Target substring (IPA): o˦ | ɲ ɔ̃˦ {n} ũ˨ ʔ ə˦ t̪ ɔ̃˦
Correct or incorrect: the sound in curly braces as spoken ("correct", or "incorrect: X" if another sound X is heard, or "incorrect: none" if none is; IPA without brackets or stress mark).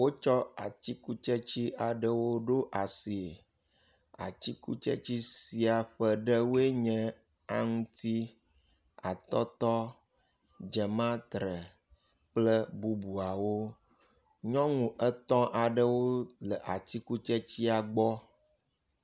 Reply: incorrect: ŋ